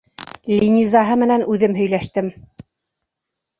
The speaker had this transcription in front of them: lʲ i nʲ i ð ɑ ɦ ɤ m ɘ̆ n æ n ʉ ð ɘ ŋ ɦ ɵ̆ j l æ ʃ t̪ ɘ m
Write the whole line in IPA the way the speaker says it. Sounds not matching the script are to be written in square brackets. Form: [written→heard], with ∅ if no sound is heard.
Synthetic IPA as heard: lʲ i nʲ i [ð→z] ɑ ɦ ɤ m ɘ̆ n æ n ʉ ð ɘ [ŋ→m] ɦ ɵ̆ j l æ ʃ t̪ ɘ m